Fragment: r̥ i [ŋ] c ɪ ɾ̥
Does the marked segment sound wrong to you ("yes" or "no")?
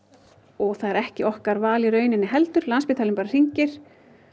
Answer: yes